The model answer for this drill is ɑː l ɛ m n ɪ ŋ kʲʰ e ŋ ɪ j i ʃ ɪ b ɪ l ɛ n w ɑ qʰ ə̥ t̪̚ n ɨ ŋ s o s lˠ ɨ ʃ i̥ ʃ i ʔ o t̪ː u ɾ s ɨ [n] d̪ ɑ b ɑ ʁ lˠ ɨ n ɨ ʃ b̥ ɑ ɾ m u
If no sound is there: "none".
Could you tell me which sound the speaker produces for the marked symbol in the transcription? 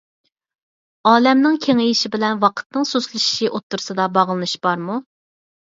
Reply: none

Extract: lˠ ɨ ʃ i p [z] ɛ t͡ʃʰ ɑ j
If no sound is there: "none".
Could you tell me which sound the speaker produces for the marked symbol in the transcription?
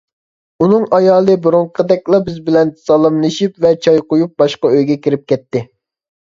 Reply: v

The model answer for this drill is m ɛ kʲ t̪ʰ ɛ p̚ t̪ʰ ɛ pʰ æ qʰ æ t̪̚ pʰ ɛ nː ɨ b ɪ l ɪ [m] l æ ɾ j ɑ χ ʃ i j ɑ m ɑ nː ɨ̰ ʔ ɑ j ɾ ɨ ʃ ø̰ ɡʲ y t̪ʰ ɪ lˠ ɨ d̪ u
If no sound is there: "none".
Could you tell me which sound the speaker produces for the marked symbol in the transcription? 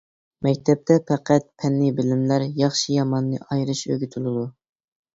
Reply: m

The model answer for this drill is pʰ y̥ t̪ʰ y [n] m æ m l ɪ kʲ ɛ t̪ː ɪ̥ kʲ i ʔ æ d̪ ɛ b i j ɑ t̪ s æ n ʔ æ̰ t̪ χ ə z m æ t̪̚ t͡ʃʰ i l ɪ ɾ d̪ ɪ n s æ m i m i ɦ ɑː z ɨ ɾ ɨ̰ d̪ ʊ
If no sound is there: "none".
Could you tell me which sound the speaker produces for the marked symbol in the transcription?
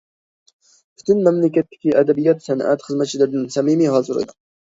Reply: n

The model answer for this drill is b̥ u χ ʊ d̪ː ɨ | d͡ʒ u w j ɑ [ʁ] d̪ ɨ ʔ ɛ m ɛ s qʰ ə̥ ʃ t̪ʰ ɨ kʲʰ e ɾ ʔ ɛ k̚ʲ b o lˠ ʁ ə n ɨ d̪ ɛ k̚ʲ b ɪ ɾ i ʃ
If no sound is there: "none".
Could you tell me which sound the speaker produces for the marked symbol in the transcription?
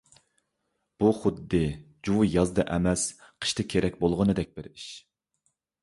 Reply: z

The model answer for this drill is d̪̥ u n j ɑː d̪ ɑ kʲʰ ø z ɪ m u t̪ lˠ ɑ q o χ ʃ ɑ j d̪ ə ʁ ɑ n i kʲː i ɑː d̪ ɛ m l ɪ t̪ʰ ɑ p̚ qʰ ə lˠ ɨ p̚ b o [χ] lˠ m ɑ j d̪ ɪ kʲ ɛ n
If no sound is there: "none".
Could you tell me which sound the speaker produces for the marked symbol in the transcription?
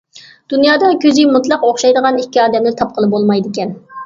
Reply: none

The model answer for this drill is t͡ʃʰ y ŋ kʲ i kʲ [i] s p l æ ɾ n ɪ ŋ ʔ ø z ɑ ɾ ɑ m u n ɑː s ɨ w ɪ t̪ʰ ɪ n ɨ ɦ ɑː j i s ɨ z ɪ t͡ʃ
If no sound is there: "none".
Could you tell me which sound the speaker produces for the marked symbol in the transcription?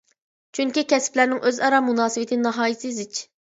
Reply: ɛ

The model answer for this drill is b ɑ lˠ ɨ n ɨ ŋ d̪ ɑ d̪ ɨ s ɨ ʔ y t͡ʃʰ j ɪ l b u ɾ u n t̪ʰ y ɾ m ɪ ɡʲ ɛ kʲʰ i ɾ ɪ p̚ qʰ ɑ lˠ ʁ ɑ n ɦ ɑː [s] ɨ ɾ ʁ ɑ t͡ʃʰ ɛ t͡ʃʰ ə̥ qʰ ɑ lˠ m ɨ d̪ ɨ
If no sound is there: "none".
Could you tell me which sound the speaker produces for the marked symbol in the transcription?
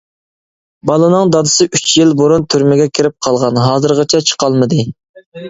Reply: z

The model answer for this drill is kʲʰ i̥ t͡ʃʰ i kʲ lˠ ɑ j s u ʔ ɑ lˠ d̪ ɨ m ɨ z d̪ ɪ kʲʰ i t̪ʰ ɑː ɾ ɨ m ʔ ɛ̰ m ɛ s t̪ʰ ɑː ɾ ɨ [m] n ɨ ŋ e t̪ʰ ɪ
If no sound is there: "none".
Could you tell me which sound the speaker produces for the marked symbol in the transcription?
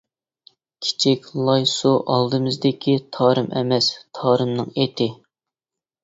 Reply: m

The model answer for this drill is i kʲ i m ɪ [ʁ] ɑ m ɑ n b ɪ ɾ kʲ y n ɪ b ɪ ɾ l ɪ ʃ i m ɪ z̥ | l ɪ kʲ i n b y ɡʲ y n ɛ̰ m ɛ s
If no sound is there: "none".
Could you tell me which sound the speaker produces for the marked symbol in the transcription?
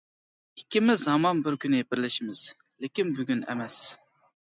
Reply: z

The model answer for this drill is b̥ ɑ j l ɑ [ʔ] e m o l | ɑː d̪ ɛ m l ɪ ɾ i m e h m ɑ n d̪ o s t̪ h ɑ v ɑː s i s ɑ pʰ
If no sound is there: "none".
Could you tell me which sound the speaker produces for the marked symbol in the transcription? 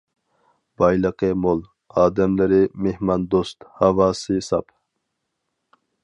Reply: q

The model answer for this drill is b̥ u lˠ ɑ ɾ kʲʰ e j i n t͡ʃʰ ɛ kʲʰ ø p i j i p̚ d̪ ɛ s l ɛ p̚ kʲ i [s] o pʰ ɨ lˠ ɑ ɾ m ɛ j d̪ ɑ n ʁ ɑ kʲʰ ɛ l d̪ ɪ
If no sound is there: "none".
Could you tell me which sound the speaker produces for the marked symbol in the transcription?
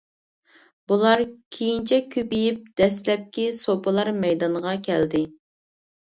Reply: s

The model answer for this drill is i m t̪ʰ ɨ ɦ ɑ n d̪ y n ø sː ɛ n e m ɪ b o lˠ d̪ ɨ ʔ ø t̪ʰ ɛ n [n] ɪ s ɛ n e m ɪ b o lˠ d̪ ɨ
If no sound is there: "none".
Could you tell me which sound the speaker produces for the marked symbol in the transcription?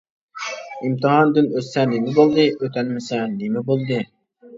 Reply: m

